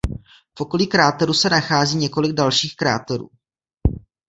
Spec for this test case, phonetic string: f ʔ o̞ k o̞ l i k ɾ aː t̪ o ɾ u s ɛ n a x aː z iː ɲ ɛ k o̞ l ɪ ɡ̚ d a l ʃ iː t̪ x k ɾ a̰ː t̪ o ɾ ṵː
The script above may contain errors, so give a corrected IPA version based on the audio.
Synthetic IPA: f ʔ o̞ k o̞ l i k ɾ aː t̪ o ɾ u s ɛ n a x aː z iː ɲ ɛ k o̞ l ɪ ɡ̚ d a l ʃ iː x k ɾ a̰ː t̪ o ɾ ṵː